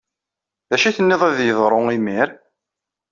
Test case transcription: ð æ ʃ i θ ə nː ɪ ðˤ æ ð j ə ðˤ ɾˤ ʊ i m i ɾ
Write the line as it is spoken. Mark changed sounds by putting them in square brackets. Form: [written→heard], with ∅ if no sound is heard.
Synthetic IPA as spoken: ð æ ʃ i θ ə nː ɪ ðˤ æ ð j ə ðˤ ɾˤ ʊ i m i ɾ